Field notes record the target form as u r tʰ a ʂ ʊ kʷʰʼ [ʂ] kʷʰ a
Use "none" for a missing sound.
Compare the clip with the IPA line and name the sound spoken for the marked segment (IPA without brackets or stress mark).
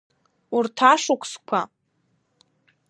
s